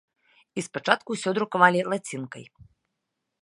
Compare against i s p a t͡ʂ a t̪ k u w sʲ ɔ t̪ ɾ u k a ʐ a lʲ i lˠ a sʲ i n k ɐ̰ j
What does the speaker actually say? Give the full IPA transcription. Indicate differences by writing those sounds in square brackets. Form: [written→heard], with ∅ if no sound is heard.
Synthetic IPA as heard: i s p a t͡ʂ a t̪ k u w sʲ ɔ [t̪→d̪] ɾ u k a [ʐ→v] a lʲ i lˠ a [sʲ→t͡sʲ] i n k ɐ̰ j